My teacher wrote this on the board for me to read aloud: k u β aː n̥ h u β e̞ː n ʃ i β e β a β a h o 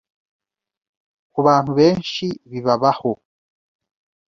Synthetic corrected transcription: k u β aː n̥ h u β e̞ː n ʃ i β i β a β a h o